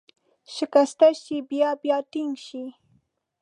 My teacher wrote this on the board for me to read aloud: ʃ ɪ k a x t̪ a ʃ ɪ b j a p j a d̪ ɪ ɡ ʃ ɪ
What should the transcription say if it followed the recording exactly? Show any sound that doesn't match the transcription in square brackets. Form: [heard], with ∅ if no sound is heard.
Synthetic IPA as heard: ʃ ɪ k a [s] t̪ a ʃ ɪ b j a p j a [t̪] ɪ [ŋ] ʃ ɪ